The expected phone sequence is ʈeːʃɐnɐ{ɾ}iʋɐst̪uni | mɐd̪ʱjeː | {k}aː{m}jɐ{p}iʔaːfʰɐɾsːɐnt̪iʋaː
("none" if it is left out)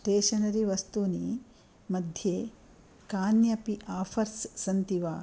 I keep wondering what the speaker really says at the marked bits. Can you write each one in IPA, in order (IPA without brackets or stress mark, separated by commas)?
ɾ, k, n, p